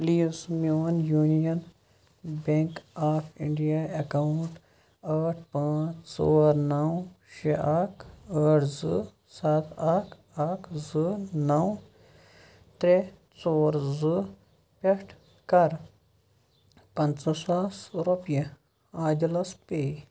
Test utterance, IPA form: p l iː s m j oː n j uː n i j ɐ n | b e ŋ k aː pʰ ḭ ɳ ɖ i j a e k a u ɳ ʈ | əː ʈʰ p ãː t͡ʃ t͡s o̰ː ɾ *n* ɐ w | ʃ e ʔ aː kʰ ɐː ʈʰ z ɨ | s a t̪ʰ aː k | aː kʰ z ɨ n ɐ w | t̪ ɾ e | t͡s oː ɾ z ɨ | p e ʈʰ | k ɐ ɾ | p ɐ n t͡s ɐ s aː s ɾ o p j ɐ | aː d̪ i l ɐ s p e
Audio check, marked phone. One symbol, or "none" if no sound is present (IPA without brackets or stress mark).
n